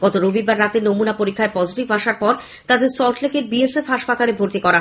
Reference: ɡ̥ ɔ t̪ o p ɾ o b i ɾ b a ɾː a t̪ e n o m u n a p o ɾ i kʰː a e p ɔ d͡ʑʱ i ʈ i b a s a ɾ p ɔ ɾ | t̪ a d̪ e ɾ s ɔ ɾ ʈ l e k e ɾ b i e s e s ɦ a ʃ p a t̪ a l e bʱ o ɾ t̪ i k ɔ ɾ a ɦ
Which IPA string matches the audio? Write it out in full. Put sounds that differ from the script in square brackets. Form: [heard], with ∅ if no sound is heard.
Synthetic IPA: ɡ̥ ɔ t̪ o [∅] ɾ o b i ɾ b a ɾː a t̪ e n o m u n a p o ɾ i kʰː a e p ɔ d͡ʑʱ i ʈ i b a [ʃ] a ɾ p ɔ ɾ | t̪ a d̪ e ɾ s ɔ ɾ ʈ l e k e ɾ b i e s e [f] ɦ a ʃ p a t̪ a l e bʱ o ɾ t̪ i k ɔ ɾ a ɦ